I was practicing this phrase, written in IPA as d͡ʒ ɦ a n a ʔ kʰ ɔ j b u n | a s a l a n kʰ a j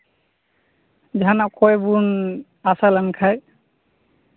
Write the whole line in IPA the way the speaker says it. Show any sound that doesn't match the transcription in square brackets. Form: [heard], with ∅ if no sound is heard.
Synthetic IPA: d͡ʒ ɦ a n a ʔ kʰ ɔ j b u n | a s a l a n kʰ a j